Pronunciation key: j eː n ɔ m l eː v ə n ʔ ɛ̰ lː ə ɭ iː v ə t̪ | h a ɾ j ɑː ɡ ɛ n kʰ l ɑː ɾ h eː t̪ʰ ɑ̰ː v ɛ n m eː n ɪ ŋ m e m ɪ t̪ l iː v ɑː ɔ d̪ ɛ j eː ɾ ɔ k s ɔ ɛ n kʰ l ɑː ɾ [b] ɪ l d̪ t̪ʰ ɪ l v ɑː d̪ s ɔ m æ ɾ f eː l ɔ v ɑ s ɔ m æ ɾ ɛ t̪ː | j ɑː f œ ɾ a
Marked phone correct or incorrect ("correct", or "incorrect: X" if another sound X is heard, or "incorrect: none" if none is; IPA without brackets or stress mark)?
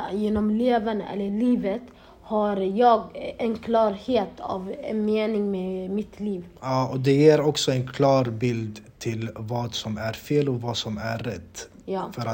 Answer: correct